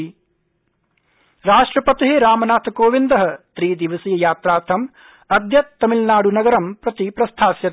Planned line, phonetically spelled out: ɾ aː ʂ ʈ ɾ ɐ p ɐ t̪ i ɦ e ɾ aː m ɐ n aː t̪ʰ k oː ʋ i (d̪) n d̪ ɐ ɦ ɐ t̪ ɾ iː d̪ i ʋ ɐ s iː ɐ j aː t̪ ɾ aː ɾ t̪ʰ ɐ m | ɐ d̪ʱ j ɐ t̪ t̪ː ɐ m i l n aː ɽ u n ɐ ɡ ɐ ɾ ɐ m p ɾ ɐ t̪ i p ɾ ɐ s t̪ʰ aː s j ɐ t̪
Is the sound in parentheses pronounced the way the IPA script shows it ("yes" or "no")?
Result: no